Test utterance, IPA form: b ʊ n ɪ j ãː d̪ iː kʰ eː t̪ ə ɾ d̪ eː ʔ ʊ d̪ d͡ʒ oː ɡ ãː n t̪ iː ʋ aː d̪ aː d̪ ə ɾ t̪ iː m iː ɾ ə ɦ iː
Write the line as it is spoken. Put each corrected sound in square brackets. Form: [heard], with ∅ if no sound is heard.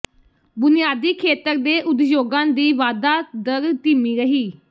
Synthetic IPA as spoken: b ʊ n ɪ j [aː] d̪ iː kʰ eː t̪ ə ɾ d̪ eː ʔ ʊ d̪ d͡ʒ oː ɡ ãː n [d̪] iː ʋ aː d̪ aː d̪ ə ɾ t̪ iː m iː ɾ ə ɦ iː